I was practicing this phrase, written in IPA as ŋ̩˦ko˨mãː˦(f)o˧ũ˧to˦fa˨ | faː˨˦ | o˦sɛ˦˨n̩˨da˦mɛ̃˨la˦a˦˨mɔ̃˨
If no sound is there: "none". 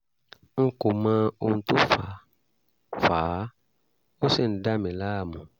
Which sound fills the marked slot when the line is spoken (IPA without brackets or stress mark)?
none